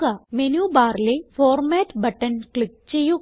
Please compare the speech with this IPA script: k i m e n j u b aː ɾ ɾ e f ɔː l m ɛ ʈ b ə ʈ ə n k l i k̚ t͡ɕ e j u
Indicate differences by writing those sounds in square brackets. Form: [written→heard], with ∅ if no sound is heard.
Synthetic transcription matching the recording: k [i→a] m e n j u b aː ɾ [ɾ→l] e f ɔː [l→ɾ] m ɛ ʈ b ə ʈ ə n k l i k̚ t͡ɕ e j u